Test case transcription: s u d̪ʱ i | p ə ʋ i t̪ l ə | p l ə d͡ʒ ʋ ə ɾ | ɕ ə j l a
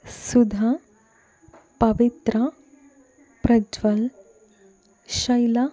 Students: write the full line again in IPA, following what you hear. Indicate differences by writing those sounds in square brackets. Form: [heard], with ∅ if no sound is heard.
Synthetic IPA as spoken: s u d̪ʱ [a] | p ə ʋ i t̪ [ɾ] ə | p [ɾ] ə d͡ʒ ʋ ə [l] | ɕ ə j l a

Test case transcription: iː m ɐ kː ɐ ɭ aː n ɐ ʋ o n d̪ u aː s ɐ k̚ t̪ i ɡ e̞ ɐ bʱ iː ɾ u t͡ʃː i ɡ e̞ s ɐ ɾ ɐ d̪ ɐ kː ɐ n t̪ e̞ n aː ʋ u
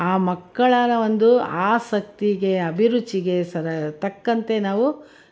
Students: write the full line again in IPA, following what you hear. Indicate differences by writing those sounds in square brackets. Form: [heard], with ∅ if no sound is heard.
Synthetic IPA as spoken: [aː] m ɐ kː ɐ ɭ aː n ɐ ʋ o n d̪ u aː s ɐ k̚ t̪ i ɡ e̞ ɐ bʱ [i] ɾ u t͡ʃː i ɡ e̞ s ɐ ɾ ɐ [t̪] ɐ kː ɐ n t̪ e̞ n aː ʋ u

